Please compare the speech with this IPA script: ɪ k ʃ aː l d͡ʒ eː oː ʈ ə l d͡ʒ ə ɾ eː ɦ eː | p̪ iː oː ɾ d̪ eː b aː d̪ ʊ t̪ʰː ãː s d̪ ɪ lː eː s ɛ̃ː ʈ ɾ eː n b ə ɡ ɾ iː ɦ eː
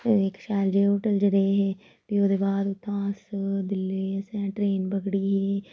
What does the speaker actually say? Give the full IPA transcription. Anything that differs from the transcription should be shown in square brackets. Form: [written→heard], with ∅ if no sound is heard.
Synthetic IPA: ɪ k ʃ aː l d͡ʒ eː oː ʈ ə l d͡ʒ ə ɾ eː ɦ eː | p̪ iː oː [ɾ→∅] d̪ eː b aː d̪ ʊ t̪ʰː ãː s d̪ ɪ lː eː s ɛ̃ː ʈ ɾ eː n b ə ɡ [ɾ→ɽ] iː ɦ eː